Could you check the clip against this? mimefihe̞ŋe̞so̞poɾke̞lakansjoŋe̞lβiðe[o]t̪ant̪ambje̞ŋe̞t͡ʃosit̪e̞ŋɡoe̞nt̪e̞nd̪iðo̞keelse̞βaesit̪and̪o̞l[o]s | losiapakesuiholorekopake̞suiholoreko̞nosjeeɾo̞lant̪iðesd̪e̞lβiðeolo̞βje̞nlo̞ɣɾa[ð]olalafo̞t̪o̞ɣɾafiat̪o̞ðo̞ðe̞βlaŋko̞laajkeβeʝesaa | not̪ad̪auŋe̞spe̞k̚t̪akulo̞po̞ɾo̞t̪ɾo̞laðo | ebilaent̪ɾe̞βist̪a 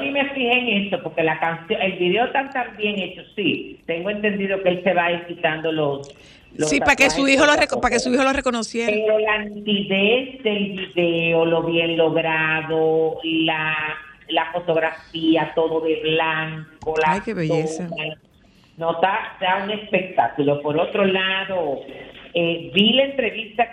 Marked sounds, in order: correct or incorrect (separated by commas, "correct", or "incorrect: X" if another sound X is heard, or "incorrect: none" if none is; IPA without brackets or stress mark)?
correct, correct, correct